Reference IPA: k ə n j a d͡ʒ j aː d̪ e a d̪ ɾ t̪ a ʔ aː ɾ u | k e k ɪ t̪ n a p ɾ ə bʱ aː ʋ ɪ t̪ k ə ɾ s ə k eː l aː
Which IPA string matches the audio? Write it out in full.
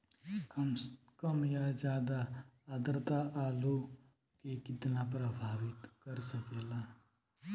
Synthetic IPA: k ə m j a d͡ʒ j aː d̪ a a d̪ ɾ t̪ a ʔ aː l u | k e k ɪ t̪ n a p ɾ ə bʱ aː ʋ ɪ t̪ k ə ɾ s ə k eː l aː